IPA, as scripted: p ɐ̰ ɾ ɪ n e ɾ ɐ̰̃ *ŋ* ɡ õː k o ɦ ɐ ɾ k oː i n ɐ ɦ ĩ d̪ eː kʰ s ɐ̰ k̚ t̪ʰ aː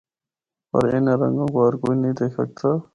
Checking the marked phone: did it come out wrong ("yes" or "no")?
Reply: no